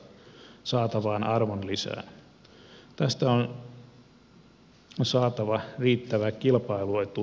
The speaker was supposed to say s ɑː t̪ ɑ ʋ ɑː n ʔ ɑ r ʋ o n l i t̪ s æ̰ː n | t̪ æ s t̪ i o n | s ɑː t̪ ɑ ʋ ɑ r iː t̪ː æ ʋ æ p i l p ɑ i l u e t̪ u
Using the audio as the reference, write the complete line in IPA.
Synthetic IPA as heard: s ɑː t̪ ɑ ʋ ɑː n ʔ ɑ r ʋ o n l i s æ̰ː n | t̪ æ s t̪ æ o n | s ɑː t̪ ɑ ʋ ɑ r iː t̪ː æ ʋ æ k i l p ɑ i l u e t̪ u